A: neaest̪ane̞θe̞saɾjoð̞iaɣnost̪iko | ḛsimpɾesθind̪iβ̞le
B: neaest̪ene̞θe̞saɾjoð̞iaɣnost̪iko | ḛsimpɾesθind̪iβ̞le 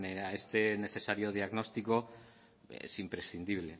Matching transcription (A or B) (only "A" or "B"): B